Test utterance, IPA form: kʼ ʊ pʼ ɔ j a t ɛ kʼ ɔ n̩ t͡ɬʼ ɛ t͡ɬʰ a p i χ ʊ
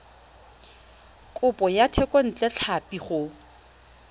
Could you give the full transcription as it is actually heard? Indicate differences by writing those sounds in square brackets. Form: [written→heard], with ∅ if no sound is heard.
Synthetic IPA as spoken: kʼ ʊ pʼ ɔ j a [t→tʰ] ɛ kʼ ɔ n̩ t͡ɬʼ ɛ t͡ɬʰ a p i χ ʊ